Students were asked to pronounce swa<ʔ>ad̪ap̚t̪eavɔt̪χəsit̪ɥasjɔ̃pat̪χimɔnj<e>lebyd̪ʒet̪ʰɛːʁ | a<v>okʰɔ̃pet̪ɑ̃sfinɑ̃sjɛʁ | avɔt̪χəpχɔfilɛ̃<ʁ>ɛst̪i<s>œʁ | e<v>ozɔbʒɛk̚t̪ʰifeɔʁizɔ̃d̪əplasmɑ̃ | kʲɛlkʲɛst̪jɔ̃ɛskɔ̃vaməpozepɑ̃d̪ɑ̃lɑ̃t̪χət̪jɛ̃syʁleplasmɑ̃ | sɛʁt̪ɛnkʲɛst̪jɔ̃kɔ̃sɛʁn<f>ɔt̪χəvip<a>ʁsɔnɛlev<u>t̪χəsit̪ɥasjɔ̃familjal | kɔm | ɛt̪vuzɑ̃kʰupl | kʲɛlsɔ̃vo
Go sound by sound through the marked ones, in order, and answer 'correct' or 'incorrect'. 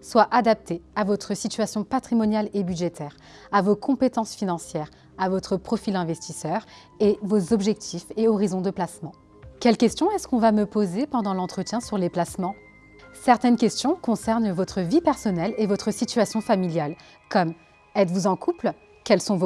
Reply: correct, incorrect: a, correct, incorrect: v, correct, correct, incorrect: v, incorrect: ɛ, incorrect: ɔ

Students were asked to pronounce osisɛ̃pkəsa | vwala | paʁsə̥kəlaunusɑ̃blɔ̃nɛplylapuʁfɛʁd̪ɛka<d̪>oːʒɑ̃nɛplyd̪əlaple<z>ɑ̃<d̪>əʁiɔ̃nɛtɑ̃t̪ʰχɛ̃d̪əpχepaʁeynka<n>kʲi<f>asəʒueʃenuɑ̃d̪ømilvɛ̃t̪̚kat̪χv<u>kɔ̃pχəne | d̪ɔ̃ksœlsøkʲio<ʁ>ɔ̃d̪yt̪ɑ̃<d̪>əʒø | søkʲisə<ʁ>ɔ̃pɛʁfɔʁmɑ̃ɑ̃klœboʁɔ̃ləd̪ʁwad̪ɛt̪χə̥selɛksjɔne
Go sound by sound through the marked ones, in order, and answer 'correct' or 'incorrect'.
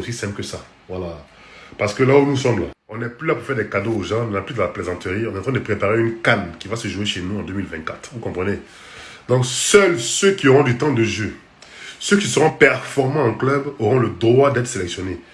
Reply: correct, correct, incorrect: t̪, correct, incorrect: v, correct, correct, correct, correct

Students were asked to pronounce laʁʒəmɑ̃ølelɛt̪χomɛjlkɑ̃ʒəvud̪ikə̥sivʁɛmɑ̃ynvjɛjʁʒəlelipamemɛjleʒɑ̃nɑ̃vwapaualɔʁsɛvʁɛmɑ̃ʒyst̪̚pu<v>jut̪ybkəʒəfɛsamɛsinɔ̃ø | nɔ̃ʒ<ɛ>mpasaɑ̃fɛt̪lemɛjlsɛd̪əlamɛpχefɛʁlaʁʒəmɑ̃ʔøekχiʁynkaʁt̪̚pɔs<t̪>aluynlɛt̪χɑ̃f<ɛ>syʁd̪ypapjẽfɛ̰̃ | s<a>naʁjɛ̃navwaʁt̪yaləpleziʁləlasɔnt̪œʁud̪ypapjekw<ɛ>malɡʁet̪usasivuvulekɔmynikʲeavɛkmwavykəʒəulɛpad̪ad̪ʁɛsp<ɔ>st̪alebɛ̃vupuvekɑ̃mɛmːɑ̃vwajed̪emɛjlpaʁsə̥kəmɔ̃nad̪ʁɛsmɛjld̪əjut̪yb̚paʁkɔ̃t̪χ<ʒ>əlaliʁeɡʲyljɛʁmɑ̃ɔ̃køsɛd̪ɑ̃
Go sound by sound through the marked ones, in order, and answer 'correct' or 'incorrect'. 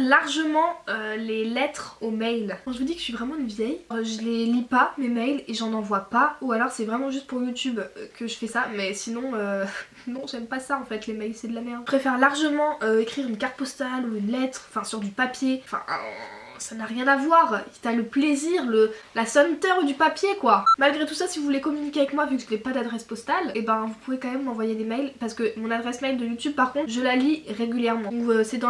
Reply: incorrect: ʁ, correct, correct, incorrect: ɛ̃, correct, incorrect: a, correct, correct

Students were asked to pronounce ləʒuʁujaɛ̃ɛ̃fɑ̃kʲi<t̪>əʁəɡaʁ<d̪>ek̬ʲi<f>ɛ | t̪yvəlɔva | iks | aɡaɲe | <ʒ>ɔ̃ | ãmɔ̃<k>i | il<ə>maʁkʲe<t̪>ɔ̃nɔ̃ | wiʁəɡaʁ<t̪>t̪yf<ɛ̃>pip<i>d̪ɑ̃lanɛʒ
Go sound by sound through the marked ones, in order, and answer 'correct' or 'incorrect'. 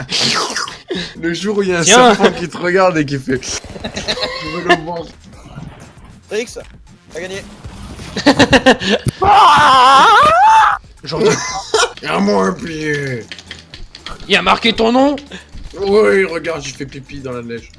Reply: correct, correct, correct, correct, incorrect: p, incorrect: a, correct, incorrect: d̪, incorrect: ɛ, correct

